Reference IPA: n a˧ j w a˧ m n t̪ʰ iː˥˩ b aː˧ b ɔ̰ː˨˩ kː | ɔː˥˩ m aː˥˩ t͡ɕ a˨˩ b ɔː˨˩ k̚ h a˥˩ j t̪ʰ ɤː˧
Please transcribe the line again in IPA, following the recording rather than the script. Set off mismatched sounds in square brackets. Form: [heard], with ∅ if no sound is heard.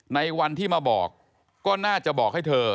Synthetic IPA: n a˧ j w a˧ [∅] n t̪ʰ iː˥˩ [m] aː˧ b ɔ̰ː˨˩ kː | ɔː˥˩ [n] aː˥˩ t͡ɕ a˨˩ b ɔː˨˩ k̚ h a˥˩ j t̪ʰ ɤː˧